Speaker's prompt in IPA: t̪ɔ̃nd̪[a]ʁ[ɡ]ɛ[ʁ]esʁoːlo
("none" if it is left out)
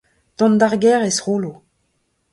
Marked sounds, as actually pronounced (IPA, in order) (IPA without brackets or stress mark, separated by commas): a, ɡ, ʁ